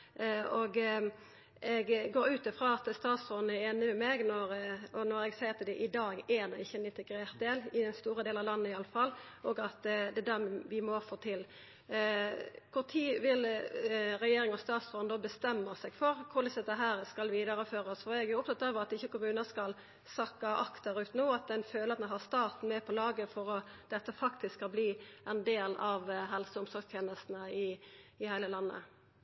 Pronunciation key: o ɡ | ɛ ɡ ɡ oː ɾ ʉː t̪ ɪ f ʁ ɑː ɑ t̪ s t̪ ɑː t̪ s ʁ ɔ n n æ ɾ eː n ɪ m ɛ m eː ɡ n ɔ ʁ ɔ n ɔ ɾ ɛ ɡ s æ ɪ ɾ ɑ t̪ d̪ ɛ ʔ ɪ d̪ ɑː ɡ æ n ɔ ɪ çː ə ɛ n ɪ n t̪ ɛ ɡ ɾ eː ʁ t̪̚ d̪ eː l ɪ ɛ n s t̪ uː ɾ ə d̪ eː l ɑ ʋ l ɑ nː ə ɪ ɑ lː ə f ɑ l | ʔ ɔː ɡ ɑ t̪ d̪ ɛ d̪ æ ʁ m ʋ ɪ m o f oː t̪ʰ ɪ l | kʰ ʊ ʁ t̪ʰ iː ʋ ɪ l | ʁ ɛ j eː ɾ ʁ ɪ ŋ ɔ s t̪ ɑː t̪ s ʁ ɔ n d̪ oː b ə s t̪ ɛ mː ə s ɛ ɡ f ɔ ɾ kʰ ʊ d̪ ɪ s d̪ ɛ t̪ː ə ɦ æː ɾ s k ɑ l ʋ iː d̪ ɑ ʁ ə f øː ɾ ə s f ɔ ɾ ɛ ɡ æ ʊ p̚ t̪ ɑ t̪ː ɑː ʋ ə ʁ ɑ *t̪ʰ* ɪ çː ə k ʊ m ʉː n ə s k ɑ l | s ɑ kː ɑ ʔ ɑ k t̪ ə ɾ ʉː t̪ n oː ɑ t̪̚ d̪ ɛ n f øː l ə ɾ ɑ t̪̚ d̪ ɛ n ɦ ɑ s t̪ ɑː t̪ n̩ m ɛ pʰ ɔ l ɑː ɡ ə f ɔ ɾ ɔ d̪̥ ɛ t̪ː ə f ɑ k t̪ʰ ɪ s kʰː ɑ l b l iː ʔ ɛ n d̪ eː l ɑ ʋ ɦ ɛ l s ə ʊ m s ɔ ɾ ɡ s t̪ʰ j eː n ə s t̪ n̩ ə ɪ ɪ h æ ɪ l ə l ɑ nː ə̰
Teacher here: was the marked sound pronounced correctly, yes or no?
no